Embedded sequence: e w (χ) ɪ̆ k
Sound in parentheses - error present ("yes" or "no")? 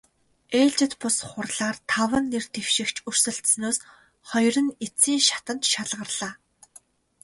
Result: yes